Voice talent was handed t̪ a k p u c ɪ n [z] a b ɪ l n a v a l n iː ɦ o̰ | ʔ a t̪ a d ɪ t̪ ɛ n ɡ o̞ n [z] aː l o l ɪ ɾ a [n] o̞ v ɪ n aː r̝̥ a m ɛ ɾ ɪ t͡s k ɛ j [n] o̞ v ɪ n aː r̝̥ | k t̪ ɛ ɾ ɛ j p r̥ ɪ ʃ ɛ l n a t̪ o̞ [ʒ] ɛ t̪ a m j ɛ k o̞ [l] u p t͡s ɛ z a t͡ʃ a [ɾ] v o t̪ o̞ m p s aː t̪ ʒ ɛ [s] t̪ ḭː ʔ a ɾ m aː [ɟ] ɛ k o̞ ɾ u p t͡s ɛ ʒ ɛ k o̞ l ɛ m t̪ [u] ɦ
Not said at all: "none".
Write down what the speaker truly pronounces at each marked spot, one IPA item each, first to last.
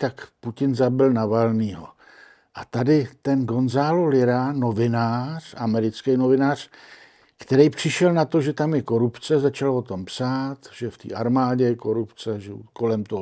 z, z, n, n, ʒ, ɾ, l, f, ɟ, o

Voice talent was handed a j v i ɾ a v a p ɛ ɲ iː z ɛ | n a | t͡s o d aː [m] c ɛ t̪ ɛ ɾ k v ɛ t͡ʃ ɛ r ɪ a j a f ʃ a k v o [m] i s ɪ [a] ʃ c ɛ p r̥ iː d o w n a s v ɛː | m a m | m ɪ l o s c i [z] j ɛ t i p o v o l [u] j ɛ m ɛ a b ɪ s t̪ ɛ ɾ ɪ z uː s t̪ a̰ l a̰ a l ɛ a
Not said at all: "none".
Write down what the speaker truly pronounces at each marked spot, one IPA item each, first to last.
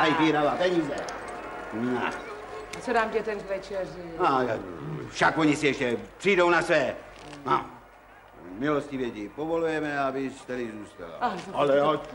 m, ɲ, ɛ, v, u

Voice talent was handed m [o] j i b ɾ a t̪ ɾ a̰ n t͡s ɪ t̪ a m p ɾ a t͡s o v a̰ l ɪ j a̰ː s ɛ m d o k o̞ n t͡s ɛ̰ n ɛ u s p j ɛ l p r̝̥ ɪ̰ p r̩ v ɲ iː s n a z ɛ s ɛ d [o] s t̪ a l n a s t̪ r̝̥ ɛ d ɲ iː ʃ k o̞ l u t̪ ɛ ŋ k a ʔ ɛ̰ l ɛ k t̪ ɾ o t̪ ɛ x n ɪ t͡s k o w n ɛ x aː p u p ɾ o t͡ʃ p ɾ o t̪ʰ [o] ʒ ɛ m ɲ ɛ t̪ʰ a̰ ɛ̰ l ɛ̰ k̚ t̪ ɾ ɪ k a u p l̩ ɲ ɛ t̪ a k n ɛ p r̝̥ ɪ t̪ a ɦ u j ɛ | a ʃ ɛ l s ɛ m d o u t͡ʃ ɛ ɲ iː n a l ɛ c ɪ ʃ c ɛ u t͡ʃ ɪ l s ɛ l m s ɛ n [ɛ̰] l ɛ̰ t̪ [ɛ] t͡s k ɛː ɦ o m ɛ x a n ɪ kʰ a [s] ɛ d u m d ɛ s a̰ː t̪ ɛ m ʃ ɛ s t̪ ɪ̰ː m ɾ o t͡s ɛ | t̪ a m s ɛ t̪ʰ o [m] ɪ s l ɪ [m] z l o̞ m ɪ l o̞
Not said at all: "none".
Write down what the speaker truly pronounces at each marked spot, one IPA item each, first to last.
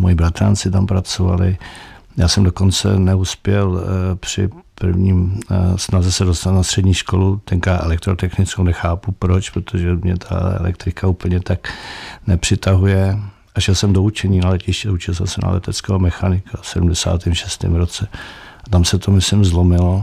o, o, o, a̰, ɛ, s, m, m

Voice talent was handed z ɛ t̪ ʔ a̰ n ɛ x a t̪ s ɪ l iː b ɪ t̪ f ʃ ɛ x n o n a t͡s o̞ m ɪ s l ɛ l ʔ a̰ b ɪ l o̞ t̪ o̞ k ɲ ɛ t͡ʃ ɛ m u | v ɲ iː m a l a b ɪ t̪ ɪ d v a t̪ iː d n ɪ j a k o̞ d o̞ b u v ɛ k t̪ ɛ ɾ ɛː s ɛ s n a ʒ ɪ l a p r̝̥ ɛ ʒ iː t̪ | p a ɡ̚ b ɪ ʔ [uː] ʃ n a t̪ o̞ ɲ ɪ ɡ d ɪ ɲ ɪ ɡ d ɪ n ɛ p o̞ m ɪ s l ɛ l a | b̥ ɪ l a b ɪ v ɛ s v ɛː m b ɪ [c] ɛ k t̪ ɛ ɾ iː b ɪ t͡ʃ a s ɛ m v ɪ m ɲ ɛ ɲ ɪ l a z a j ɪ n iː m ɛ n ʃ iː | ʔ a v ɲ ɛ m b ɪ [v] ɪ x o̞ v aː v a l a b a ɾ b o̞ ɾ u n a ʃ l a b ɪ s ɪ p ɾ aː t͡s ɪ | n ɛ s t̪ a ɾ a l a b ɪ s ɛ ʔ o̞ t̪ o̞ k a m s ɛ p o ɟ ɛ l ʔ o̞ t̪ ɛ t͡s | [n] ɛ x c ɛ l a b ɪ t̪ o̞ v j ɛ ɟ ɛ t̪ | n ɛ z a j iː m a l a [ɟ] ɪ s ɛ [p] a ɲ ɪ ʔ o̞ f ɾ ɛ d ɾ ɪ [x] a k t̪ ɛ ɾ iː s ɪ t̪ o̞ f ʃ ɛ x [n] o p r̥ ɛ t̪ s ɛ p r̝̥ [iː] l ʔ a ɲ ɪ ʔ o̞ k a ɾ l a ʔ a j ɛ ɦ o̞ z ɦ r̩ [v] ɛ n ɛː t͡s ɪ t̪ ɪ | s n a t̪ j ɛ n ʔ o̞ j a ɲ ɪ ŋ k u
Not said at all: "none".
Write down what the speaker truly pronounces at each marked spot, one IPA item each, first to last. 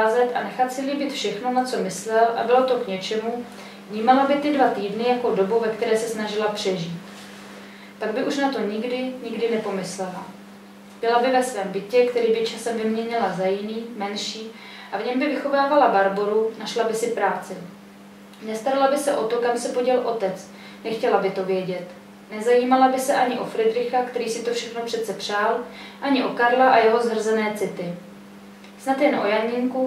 u, c, v, n, b, ʔ, x, n, aː, z

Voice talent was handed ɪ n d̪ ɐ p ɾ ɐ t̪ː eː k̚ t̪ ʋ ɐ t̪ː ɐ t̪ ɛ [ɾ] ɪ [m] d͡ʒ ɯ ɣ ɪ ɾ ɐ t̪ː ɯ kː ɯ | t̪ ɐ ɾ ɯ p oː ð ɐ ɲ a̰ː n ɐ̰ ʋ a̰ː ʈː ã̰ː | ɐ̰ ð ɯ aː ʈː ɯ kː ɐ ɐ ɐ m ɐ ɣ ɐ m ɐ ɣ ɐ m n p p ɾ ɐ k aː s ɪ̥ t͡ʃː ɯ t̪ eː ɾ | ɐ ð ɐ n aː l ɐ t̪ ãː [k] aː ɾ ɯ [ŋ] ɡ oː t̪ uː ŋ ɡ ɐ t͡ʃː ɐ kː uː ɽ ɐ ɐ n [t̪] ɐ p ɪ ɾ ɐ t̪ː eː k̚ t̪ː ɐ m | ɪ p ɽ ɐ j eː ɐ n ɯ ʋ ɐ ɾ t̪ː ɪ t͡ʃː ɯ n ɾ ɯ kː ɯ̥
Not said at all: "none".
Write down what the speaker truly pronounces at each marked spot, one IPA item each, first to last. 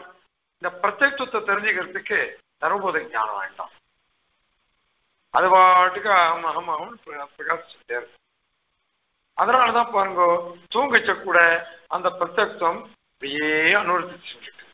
ɾ, ɲ, p, ŋ, d̪

